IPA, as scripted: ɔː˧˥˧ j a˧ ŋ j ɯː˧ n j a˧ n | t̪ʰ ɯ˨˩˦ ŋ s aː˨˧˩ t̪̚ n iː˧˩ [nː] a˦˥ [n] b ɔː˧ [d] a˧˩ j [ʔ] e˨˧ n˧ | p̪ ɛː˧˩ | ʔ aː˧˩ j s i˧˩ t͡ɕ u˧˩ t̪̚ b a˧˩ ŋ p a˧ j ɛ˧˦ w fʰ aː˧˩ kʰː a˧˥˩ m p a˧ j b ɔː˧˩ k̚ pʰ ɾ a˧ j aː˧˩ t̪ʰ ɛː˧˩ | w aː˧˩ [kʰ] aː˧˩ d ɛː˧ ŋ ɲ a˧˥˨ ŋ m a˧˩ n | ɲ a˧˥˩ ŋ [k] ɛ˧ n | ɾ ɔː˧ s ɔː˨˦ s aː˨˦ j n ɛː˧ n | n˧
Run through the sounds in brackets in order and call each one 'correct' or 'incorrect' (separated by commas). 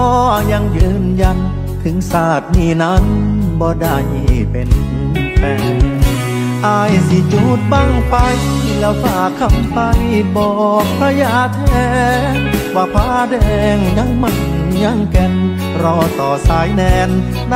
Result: incorrect, correct, correct, incorrect, incorrect, correct